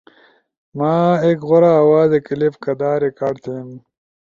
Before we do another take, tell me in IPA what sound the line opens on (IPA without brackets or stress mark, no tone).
m